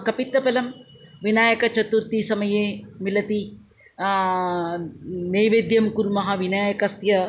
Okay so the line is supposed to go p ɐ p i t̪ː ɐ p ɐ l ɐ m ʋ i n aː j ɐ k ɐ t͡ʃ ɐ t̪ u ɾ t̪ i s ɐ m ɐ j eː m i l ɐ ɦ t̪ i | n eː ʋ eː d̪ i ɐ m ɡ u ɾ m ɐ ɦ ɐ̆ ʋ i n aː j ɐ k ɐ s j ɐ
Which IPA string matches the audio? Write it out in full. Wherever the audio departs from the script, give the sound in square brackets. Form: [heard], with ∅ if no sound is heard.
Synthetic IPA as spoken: [k] ɐ p i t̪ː ɐ p ɐ l ɐ m ʋ i n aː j ɐ k ɐ t͡ʃ ɐ t̪ u ɾ t̪ i s ɐ m ɐ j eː m i l ɐ [∅] t̪ i | n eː ʋ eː d̪ [j] ɐ m [k] u ɾ m ɐ ɦ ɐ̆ ʋ i n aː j ɐ k ɐ s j ɐ